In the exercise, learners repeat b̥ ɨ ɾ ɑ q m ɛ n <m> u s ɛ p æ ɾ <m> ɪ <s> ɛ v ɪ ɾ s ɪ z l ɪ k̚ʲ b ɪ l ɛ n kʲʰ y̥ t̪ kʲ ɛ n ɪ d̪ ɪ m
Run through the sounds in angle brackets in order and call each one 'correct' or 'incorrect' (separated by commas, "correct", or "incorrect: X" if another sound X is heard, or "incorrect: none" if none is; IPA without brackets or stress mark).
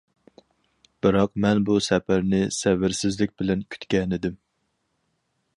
incorrect: b, incorrect: n, correct